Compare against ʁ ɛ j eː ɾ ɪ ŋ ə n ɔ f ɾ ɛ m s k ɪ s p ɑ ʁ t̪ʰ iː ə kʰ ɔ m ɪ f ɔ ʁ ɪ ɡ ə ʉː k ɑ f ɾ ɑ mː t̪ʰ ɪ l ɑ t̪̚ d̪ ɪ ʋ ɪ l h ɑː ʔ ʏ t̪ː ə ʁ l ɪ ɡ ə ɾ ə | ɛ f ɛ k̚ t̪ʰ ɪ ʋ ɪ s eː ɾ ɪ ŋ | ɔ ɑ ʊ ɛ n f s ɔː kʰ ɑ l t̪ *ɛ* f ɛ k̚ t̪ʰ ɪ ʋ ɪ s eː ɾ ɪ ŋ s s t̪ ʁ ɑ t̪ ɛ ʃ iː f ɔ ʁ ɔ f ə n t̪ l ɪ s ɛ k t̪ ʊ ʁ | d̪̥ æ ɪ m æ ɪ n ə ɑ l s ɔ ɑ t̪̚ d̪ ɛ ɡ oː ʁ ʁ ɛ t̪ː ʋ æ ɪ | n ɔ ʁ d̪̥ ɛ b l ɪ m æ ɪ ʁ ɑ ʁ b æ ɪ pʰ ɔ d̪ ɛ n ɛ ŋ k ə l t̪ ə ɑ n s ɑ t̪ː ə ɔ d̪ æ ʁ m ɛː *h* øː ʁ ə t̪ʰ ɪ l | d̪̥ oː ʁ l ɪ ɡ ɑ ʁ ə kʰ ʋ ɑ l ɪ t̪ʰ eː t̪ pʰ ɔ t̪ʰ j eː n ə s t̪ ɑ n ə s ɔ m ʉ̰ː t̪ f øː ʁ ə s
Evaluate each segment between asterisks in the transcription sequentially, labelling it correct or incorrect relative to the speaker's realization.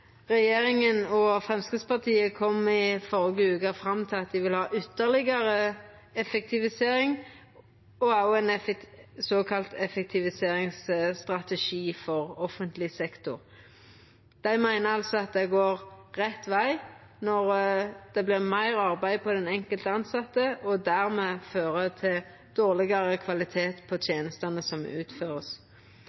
correct, incorrect: f

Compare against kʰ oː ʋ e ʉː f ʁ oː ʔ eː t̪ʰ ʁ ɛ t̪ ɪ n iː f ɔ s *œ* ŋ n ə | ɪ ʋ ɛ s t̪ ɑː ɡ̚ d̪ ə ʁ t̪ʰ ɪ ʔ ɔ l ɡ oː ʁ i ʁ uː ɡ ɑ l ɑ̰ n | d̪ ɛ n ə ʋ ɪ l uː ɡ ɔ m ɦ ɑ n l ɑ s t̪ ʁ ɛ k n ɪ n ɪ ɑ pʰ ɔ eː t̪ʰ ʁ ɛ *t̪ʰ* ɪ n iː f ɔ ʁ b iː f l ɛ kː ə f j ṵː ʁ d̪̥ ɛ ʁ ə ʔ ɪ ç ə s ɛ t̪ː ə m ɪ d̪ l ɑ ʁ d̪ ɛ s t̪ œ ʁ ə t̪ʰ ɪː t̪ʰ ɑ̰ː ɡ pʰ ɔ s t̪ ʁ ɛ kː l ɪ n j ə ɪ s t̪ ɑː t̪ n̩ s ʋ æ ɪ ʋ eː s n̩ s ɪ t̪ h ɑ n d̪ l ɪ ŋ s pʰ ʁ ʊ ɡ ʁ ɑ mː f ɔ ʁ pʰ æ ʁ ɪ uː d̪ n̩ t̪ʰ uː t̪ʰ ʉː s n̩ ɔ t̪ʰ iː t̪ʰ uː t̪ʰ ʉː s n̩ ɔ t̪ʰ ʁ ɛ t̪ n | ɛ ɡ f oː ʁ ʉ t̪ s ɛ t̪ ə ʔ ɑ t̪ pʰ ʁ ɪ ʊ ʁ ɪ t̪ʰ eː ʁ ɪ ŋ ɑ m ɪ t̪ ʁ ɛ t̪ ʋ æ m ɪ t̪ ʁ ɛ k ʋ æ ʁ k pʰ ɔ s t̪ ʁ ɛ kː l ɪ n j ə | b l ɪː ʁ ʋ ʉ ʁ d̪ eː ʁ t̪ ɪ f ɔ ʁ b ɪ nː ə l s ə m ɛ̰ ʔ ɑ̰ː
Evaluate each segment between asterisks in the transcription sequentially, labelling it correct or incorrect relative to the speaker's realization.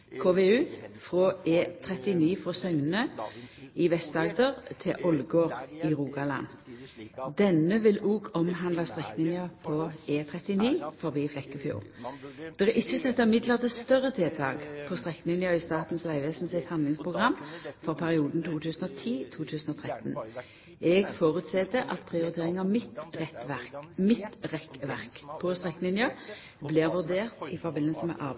correct, incorrect: t̪

